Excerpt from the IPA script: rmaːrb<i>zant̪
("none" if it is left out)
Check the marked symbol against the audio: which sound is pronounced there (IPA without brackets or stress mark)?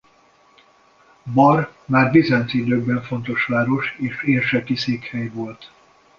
i